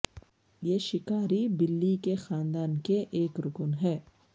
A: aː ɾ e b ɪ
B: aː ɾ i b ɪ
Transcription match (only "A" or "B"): B